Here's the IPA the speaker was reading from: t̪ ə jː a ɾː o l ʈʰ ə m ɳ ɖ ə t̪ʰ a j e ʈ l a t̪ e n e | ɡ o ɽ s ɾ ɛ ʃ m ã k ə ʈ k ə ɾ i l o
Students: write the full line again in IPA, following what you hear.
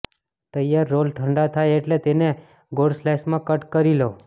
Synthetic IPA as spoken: t̪ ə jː a ɾː o l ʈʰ ə ɳ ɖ a t̪ʰ a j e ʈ l e t̪ e n e | ɡ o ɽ s l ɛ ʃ m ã k ə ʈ k ə ɾ i l o